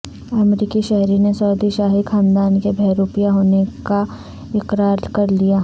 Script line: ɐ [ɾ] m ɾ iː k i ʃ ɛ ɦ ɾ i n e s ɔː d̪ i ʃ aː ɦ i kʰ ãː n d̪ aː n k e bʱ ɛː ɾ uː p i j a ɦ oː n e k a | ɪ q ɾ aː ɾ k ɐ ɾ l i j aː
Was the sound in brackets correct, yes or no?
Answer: no